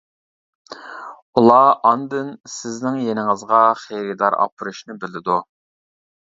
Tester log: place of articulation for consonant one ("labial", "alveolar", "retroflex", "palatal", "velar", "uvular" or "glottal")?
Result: alveolar